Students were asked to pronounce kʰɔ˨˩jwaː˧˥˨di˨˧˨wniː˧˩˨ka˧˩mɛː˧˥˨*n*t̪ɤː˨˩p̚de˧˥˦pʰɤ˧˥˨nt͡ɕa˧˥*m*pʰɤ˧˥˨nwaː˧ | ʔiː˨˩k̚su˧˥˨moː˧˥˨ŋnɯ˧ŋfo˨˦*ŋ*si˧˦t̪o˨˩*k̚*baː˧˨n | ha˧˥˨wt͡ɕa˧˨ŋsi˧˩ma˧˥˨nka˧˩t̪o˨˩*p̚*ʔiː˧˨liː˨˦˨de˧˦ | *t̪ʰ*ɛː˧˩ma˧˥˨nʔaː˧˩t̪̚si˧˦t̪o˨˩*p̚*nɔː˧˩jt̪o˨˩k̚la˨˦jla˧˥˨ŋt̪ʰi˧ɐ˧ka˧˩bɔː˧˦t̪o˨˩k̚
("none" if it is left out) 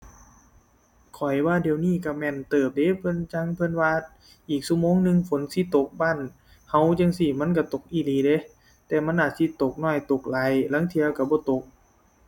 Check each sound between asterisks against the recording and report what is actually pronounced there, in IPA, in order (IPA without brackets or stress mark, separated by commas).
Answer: n, ŋ, n, k̚, k̚, t̪, k̚